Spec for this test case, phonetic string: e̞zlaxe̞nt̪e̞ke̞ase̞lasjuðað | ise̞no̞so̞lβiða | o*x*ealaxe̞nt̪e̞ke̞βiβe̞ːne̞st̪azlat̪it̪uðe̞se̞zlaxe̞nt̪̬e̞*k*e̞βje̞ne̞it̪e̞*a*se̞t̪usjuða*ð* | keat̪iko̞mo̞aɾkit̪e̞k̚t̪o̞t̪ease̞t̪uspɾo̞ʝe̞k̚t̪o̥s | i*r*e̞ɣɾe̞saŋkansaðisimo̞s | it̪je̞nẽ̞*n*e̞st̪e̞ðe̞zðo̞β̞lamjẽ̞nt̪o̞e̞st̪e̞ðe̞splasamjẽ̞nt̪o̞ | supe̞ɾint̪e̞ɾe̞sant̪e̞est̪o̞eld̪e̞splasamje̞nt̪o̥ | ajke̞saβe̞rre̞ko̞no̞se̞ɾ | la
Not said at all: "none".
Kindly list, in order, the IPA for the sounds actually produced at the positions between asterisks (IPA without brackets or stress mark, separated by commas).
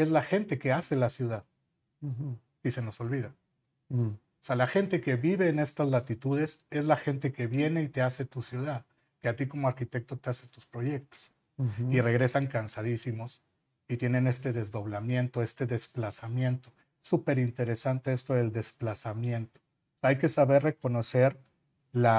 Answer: s, k, a, ð, r, n